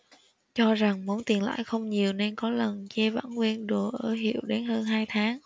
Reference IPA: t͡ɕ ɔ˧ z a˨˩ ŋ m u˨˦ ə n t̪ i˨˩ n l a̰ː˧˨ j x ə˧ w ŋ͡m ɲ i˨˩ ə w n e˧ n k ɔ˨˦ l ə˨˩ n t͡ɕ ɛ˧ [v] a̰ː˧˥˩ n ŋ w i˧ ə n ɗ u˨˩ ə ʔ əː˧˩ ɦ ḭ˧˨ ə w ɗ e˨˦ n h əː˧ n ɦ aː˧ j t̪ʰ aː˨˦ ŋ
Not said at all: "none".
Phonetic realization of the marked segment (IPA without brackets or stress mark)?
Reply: v